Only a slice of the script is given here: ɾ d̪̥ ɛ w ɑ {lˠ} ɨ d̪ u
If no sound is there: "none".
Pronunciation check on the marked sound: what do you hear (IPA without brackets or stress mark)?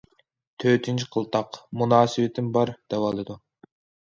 lˠ